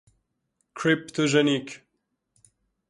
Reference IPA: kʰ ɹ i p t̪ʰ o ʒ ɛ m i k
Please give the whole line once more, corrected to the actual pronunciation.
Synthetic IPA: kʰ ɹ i p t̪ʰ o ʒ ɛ n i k